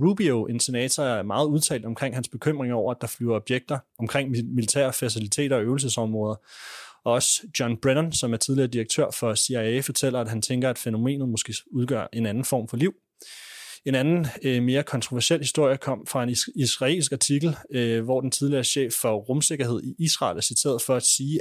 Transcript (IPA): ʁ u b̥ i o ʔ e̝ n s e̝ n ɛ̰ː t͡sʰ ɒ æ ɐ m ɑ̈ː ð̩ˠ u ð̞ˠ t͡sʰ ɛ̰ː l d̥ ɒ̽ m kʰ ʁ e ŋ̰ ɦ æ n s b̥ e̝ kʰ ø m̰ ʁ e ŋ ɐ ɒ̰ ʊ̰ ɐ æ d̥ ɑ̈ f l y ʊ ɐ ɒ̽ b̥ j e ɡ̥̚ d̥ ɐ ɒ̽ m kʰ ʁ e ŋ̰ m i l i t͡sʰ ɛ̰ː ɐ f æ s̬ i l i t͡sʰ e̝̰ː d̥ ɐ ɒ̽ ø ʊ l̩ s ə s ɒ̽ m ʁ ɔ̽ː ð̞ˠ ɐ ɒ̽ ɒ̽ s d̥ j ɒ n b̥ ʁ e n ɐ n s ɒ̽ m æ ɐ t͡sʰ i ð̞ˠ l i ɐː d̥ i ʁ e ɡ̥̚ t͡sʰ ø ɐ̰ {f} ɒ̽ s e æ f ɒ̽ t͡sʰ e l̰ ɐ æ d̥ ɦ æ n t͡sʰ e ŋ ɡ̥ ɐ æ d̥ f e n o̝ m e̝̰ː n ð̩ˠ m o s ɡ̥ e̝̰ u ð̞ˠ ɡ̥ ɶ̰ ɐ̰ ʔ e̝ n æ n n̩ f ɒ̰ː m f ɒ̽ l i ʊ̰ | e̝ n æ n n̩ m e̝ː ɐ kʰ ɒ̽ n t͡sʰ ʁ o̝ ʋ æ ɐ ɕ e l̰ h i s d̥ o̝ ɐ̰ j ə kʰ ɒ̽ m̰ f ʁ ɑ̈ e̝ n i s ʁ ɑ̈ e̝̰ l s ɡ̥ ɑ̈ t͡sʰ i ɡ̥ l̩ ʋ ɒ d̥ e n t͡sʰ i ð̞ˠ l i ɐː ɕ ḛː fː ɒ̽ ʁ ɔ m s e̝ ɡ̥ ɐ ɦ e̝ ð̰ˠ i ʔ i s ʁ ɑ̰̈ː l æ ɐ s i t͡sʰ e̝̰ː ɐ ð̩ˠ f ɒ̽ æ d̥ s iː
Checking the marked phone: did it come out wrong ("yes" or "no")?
no